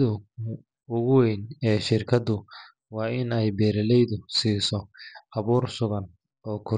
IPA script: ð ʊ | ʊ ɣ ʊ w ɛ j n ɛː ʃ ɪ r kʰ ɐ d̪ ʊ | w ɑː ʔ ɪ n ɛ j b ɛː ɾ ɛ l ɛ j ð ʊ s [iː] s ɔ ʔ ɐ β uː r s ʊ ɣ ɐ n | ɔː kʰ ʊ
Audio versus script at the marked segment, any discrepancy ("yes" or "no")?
no